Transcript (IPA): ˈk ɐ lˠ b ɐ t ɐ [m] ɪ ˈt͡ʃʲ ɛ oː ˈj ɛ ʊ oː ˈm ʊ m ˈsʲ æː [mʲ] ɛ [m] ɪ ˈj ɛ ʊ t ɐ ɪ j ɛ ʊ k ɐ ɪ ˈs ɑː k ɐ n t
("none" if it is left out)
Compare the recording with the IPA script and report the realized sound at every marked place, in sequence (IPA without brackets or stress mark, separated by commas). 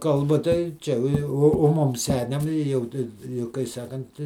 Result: none, nʲ, m